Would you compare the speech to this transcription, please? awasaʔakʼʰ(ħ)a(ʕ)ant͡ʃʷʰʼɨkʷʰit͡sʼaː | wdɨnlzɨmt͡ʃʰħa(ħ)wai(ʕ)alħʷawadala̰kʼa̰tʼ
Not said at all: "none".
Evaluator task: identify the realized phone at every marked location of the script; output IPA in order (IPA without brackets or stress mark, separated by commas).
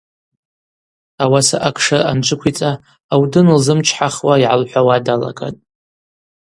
ʂ, none, χ, ʕ